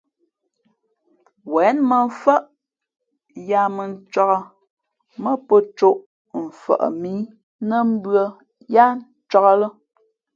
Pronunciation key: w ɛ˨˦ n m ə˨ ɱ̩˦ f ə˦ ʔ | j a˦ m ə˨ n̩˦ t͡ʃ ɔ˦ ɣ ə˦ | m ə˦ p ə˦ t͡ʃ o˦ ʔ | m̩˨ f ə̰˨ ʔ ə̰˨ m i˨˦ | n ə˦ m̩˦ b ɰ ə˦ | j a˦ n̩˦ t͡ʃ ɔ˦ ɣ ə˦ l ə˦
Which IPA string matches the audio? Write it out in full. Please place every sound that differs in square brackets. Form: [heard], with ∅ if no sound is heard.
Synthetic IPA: w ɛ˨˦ n m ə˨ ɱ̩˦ f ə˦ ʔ | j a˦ m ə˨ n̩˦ t͡ʃ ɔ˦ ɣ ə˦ | m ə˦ p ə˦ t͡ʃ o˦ ʔ | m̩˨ f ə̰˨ ʔ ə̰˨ m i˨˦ | n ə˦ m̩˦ b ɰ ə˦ | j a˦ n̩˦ t͡ʃ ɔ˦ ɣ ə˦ l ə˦